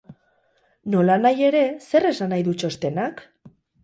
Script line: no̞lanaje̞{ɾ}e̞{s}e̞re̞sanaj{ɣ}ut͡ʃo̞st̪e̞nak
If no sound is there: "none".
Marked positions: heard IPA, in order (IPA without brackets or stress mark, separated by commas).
ɾ, s, ð